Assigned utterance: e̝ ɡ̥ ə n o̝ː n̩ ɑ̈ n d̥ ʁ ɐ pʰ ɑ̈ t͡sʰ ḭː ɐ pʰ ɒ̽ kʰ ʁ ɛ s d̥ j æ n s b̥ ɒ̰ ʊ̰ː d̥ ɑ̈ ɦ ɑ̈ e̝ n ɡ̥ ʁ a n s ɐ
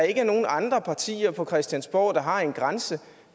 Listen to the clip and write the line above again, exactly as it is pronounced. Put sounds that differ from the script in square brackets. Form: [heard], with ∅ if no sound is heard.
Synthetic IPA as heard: e̝ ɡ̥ ə n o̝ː n̩ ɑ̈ n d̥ ʁ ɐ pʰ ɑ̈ t͡sʰ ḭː ɐ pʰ ɒ̽ kʰ ʁ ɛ s d̥ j æ n s b̥ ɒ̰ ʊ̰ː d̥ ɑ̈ ɦ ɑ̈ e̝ n ɡ̥ ʁ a n s [ə]